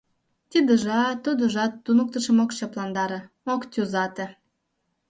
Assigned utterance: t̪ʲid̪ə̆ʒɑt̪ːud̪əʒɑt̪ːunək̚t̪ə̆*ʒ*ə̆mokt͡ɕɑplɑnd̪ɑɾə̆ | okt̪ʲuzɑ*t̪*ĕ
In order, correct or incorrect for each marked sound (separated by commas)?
incorrect, correct